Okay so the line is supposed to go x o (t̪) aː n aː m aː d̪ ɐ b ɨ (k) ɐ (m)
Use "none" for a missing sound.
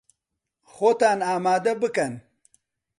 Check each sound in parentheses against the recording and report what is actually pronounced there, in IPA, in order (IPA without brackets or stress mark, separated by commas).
t̪, k, n